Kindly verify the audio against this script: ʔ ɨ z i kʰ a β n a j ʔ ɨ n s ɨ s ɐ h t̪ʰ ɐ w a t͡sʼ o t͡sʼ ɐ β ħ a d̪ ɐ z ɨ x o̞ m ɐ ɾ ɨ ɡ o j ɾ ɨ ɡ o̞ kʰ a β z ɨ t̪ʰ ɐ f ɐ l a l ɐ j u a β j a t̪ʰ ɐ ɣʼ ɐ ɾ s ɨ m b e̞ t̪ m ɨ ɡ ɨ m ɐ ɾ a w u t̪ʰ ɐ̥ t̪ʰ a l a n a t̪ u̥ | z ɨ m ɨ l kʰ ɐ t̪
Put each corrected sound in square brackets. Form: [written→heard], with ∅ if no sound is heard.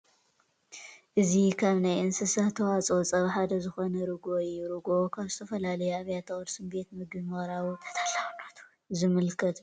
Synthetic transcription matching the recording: ʔ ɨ z i kʰ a β n a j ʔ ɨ n s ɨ s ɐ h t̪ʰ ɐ w a t͡sʼ o t͡sʼ ɐ β ħ a d̪ ɐ z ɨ x o̞ [m→n] ɐ ɾ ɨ ɡ o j ɾ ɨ ɡ o̞ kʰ a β z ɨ t̪ʰ ɐ f ɐ l a l ɐ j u a β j a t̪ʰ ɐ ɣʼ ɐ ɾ s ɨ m b e̞ t̪ m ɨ ɡ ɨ m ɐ ɾ a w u t̪ʰ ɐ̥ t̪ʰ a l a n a t̪ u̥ | z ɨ m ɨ l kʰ ɐ t̪